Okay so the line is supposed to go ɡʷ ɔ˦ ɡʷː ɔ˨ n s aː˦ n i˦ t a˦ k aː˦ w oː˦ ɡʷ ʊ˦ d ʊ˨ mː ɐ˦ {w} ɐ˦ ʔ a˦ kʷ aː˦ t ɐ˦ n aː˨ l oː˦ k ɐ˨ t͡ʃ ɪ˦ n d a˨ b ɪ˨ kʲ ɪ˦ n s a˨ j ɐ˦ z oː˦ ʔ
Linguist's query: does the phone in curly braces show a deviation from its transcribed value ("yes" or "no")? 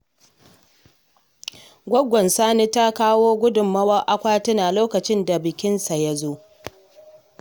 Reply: no